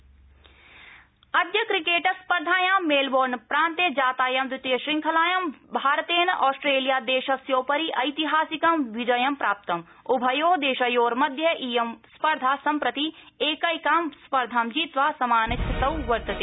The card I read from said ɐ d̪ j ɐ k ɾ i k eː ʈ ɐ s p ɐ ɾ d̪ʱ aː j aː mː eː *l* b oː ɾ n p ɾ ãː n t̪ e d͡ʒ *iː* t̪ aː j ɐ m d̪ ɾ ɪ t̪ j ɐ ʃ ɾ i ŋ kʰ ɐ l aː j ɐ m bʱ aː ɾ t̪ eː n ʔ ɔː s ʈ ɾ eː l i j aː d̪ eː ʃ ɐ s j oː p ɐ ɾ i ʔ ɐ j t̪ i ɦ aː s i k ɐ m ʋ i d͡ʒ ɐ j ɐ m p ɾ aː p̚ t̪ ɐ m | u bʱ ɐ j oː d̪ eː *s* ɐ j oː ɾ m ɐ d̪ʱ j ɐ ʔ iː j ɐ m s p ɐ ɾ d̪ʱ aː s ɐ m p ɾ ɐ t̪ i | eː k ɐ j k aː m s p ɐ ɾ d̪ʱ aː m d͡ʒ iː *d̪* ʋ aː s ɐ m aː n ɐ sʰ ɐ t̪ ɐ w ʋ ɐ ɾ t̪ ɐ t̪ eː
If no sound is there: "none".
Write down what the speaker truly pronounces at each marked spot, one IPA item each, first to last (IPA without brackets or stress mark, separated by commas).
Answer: l, aː, ʃ, t̪